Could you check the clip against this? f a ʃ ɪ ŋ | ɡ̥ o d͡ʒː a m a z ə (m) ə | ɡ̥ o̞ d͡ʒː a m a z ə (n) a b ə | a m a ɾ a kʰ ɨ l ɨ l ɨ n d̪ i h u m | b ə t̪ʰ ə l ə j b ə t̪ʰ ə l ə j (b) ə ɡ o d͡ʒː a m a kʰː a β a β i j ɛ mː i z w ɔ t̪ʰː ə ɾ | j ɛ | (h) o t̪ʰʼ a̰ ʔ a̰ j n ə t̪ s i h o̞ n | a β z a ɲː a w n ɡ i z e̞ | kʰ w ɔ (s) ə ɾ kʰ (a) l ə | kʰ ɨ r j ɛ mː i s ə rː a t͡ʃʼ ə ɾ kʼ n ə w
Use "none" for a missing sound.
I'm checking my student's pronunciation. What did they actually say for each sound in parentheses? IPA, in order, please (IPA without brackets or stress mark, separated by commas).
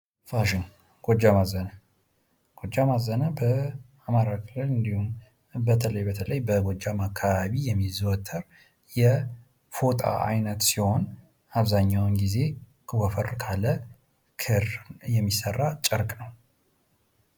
n, n, b, f, f, a